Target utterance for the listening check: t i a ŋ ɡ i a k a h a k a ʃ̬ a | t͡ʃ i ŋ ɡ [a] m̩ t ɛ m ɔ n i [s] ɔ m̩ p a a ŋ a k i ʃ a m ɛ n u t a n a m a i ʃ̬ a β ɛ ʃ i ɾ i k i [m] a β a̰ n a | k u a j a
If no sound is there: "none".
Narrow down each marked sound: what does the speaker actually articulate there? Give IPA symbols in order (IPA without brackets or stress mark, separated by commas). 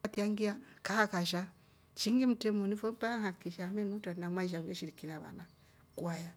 i, f, n